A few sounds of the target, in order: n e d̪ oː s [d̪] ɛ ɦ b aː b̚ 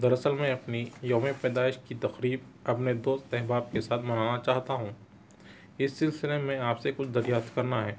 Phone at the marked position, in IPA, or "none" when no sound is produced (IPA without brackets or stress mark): t̪